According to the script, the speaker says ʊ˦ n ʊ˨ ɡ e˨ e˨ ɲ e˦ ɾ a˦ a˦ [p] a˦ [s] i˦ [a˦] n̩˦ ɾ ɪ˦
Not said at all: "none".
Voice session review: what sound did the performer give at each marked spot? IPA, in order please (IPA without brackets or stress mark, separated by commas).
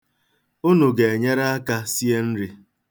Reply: k, s, e˦